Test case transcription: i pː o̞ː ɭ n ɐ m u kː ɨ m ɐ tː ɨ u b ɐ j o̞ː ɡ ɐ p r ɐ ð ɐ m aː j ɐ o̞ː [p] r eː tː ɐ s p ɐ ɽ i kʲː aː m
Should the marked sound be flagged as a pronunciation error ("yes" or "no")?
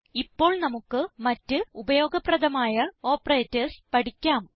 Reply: no